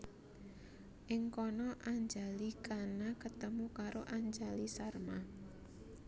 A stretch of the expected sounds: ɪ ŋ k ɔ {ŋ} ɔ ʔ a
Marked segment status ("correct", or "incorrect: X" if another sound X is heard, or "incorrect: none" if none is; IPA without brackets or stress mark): incorrect: n